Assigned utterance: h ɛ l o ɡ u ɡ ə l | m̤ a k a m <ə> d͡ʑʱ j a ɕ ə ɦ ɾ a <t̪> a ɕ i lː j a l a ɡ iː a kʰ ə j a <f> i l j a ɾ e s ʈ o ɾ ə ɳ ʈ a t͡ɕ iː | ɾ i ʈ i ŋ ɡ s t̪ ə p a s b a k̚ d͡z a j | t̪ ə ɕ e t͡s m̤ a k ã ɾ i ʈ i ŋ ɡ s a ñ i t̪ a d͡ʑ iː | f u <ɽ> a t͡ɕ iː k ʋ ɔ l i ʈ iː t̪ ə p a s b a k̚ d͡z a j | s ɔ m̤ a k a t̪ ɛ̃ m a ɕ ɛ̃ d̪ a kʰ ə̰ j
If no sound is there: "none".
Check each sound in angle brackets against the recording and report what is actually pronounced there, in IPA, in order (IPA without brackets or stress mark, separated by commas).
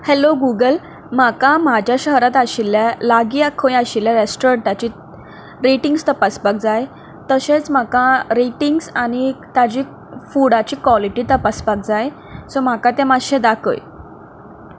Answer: a, t̪, ɕ, ɽ